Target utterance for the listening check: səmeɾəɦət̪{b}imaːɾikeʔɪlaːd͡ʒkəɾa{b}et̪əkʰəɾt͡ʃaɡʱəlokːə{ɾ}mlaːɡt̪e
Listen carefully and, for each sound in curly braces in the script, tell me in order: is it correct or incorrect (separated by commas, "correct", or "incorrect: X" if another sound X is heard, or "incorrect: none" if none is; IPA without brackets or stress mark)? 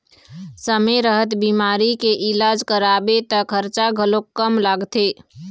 correct, correct, incorrect: none